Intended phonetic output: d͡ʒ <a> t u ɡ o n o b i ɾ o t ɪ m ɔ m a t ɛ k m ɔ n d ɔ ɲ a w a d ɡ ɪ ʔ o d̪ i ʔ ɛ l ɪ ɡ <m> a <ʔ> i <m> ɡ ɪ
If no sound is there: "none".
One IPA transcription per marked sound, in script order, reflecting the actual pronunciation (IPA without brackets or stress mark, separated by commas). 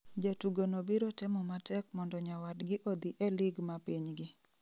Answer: a, m, p, ɲ